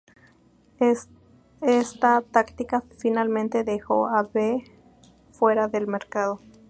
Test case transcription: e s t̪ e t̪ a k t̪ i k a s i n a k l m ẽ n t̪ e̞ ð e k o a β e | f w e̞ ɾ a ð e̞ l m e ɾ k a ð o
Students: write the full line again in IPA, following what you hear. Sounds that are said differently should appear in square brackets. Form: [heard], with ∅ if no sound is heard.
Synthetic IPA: e s t̪ [a] t̪ a k t̪ i k a [f] i n a [∅] l m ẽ n t̪ e̞ ð e [x] o a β e | f w e̞ ɾ a ð e̞ l m e ɾ k a ð o